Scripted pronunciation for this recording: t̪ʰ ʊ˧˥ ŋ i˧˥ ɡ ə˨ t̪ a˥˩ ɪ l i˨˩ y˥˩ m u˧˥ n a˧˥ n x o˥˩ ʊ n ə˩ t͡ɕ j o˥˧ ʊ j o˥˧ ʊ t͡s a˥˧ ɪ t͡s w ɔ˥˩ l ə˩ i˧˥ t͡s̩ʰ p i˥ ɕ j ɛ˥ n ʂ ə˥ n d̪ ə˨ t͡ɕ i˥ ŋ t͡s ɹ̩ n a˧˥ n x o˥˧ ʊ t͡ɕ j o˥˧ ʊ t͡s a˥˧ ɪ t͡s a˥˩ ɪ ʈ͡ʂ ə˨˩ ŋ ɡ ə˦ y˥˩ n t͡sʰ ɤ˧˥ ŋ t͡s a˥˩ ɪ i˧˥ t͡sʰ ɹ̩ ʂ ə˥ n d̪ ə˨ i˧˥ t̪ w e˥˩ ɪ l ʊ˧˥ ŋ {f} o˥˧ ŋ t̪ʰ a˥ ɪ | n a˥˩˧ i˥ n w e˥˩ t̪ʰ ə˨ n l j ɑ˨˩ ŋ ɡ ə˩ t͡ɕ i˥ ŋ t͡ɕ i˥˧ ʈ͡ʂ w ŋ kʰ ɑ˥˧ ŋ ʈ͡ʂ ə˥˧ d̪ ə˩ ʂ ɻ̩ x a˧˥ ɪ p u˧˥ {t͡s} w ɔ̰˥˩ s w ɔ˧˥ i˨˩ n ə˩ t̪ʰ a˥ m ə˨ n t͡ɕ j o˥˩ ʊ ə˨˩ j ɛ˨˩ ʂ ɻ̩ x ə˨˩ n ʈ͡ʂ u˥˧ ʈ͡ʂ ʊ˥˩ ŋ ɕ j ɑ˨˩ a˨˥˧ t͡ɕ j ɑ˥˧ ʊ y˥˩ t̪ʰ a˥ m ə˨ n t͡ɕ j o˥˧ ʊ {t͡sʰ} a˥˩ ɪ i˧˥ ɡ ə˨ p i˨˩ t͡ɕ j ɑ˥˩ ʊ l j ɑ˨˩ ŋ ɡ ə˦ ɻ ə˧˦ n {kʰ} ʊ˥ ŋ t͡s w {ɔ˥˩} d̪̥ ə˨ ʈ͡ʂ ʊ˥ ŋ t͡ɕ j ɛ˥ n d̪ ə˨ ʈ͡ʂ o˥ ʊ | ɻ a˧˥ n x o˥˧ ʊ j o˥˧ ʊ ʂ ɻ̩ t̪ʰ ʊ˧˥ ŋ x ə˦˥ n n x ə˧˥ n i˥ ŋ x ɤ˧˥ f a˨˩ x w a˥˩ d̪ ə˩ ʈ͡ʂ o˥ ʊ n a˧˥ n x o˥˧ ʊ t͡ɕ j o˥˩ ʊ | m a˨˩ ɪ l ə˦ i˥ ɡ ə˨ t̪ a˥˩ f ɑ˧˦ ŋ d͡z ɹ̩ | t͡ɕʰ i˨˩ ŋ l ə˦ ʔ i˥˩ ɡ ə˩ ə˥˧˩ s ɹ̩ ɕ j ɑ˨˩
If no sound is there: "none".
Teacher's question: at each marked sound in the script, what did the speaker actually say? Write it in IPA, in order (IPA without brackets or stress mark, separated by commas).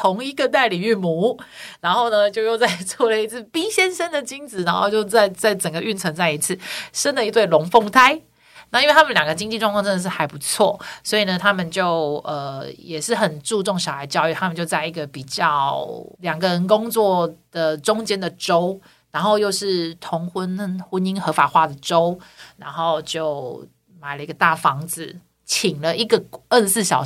f, t͡sʰ, t͡s, k, ɔ˥˩